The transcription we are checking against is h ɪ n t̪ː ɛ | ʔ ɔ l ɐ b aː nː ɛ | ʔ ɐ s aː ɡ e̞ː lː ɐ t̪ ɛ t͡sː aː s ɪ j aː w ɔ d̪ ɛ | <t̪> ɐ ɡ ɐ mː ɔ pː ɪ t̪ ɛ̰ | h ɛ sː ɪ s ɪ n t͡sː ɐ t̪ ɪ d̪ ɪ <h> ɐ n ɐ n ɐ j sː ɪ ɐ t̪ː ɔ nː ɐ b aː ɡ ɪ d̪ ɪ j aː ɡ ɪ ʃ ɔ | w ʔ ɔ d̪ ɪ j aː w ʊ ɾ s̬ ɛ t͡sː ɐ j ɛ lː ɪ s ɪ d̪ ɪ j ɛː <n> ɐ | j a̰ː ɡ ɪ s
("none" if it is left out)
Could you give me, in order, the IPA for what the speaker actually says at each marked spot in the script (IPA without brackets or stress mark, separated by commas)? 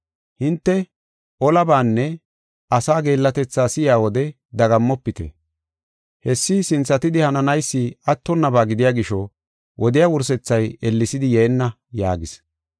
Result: d̪, h, nː